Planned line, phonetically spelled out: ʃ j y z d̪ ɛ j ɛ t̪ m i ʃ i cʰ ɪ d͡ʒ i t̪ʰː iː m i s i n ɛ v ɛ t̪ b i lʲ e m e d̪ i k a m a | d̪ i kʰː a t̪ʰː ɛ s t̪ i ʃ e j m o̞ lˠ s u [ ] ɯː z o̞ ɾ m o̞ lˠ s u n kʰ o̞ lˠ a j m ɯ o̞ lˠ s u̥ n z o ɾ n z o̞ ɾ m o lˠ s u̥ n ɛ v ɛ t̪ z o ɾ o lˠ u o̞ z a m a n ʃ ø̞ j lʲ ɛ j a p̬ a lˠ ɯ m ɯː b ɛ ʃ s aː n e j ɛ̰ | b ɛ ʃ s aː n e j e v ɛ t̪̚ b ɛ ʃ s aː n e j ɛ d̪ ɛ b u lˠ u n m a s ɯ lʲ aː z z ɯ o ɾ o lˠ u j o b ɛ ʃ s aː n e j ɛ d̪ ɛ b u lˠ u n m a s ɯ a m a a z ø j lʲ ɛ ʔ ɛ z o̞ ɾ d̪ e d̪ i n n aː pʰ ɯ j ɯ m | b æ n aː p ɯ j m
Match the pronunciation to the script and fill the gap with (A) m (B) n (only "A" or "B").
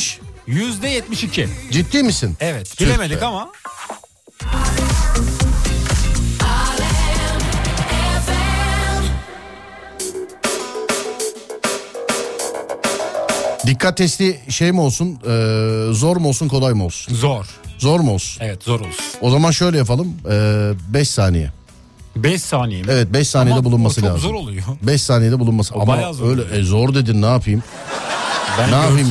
B